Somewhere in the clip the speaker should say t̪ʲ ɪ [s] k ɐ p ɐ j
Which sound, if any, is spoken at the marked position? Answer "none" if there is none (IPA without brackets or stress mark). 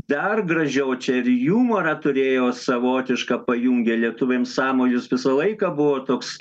ʃ